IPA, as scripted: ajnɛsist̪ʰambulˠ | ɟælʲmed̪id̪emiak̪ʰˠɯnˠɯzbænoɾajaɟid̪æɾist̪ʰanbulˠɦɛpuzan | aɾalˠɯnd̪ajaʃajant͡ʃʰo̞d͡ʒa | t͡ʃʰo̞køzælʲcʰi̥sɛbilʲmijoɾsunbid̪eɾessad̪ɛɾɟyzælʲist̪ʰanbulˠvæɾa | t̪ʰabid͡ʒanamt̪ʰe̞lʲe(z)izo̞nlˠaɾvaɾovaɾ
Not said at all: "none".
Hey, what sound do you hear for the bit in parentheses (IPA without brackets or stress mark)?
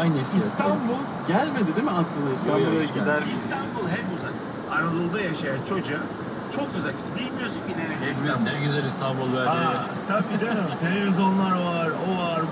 v